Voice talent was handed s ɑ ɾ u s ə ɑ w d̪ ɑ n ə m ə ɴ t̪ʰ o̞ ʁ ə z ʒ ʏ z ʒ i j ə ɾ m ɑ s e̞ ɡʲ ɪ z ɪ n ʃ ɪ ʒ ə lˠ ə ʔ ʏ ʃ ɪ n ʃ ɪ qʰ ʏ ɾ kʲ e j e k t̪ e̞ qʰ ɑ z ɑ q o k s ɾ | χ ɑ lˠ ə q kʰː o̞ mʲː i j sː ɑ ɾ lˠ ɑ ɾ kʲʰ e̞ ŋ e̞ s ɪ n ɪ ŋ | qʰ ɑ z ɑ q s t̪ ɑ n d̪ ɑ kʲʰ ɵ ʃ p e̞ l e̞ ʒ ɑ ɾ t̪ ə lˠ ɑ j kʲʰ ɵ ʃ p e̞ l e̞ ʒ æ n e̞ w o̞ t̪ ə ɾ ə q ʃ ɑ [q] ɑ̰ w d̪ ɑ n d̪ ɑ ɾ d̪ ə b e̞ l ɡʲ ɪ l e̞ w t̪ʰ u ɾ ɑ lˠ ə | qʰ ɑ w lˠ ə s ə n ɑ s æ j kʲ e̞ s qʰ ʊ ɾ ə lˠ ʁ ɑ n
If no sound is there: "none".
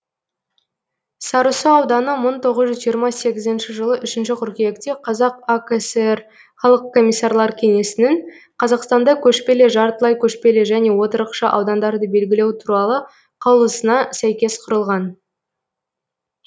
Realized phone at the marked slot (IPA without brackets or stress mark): ʔ